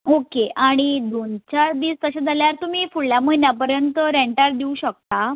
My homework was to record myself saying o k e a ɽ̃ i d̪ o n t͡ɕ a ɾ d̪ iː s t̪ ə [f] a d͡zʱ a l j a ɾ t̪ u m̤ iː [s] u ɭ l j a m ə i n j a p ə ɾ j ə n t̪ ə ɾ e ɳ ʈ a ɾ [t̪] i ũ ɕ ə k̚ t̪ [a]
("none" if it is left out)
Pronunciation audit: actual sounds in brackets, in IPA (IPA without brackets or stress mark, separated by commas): ɕ, f, d̪, a